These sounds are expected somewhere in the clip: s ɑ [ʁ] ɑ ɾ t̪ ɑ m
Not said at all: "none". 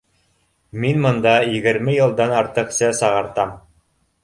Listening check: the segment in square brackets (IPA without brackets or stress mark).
ʁ